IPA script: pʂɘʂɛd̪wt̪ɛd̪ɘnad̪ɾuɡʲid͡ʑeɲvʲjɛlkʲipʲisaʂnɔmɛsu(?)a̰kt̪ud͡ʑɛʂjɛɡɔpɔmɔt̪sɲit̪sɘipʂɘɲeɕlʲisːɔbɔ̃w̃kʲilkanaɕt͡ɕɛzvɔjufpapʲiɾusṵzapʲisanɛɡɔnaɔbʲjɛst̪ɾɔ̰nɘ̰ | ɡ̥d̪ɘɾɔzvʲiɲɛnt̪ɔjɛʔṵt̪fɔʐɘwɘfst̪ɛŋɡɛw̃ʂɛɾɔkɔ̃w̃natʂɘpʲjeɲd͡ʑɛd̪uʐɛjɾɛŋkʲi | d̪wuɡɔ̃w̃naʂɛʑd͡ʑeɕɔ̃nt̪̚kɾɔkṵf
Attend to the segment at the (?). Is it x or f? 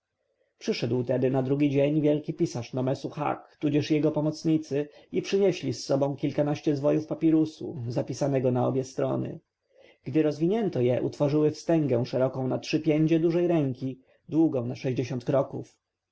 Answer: x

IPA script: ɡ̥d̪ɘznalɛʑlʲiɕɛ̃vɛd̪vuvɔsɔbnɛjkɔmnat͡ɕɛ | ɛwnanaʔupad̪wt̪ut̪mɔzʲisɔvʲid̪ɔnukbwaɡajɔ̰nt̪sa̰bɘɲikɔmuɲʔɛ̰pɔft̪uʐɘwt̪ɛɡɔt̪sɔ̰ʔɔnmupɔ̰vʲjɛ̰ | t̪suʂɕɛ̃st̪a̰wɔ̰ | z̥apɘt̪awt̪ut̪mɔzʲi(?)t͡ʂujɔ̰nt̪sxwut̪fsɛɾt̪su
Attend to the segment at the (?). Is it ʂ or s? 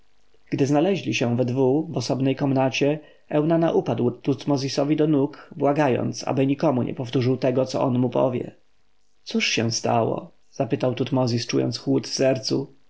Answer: s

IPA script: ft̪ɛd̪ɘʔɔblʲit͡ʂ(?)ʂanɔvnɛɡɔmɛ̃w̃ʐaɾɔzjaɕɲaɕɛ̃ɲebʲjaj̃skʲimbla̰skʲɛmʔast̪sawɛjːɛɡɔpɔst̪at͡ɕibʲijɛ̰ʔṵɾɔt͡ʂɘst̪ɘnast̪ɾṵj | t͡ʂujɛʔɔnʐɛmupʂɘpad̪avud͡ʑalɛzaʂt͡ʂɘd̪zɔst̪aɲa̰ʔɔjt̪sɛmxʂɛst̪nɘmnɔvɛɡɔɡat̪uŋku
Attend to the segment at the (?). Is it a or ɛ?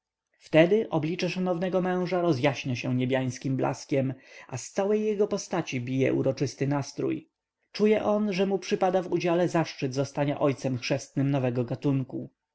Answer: ɛ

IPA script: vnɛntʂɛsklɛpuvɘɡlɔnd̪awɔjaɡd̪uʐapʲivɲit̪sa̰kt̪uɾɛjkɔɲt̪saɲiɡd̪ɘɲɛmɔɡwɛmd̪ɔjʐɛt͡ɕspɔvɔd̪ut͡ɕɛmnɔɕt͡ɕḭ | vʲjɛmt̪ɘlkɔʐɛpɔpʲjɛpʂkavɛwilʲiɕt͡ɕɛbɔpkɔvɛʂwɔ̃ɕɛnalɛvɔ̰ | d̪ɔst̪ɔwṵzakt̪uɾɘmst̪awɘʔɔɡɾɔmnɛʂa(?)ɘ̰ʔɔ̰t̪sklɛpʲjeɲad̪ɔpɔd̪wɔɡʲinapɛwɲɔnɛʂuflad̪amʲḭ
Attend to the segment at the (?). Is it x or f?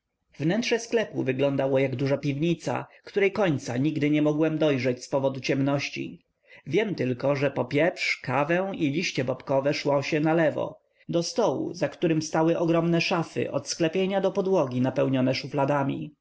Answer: f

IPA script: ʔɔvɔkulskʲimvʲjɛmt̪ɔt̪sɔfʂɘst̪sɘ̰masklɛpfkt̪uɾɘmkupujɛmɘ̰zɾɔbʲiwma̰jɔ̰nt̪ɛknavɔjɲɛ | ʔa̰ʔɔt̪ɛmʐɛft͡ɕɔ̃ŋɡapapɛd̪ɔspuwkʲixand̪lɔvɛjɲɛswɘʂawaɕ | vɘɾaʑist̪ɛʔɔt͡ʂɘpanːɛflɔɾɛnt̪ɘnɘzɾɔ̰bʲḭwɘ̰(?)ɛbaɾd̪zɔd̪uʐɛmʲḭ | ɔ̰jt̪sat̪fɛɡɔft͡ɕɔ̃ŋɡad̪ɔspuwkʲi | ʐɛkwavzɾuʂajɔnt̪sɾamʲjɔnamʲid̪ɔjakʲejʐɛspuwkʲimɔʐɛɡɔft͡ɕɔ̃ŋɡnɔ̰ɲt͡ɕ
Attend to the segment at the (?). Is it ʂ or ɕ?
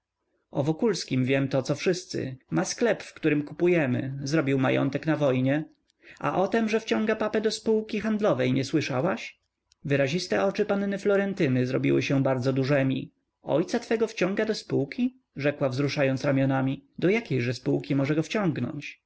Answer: ɕ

